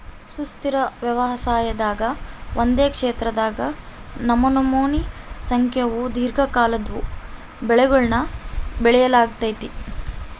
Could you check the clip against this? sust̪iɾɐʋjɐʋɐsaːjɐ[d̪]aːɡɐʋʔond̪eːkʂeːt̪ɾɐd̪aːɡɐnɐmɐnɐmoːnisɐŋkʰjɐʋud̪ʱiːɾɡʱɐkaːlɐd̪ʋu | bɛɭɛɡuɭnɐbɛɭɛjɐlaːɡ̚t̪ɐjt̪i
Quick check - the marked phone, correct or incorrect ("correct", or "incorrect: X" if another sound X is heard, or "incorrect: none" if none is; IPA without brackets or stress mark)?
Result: correct